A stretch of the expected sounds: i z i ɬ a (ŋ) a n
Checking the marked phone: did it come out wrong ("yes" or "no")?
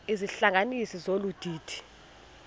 no